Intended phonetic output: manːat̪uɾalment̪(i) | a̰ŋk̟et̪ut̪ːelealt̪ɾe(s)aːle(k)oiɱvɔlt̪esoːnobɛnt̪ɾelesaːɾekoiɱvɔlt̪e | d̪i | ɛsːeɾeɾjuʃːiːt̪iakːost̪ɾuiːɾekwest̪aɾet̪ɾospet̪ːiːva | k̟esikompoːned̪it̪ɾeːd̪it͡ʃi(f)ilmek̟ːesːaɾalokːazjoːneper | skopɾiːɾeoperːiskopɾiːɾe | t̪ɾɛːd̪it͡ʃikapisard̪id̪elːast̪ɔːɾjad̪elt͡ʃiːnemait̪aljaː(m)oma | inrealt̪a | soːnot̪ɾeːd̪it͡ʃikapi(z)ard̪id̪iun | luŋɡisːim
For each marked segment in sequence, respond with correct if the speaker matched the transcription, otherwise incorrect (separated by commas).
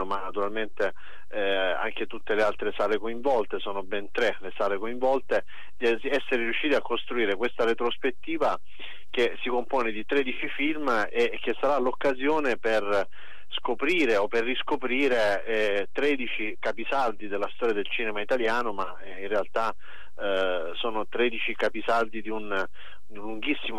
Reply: incorrect, correct, correct, correct, incorrect, incorrect